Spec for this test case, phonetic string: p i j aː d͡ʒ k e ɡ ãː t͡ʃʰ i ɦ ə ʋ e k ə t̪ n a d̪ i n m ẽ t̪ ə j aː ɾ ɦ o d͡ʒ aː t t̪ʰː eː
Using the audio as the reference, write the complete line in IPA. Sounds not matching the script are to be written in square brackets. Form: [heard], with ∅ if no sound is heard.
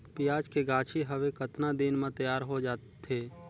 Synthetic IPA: p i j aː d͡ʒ k e ɡ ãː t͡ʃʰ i ɦ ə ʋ e k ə t̪ n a d̪ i n m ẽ t̪ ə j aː ɾ ɦ o d͡ʒ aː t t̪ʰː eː